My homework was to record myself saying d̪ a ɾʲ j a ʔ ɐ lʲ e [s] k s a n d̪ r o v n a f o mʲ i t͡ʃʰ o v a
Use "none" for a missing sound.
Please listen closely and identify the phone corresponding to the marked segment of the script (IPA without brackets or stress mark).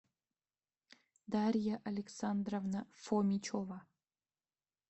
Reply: none